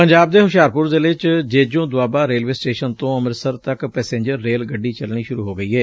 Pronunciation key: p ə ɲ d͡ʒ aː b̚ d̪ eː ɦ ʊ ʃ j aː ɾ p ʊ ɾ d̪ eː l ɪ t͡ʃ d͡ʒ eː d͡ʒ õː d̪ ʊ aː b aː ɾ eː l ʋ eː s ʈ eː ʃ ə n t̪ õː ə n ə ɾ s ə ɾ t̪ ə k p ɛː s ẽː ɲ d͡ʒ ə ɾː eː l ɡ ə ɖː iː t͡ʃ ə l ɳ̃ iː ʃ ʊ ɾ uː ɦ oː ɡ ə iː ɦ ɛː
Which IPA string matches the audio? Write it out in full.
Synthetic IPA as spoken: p ə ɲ d͡ʒ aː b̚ d̪ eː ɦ ʊ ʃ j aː ɾ p ʊ ɾ d̪ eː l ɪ t͡ʃ d͡ʒ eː d͡ʒ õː d̪ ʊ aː b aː ɾ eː l ʋ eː s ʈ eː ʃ ə n t̪ õː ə m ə ɾ s ə ɾ t̪ ə k p ɛː s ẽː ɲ d͡ʒ ə ɾː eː l ɡ ə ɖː iː t͡ʃ ə l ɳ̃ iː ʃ ʊ ɾ uː ɦ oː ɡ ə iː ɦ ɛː